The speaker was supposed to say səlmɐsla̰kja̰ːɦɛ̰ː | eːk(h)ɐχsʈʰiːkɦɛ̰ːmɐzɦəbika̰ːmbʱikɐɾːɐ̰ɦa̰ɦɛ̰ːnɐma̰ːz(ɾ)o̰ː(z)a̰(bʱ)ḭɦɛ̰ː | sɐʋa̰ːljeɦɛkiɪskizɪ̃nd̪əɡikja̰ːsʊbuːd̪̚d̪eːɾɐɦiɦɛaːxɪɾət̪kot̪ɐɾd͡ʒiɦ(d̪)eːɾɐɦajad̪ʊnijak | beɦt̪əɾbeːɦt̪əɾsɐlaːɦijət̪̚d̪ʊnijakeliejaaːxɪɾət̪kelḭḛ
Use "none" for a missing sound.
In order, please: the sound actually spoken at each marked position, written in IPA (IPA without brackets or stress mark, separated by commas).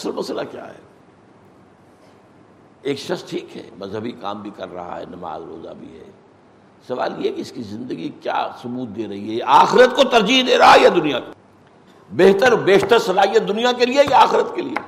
ʃ, ɾ, z, bʱ, d̪